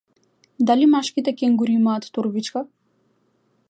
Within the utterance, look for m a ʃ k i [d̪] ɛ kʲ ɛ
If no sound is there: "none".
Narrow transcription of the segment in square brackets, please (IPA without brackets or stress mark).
t̪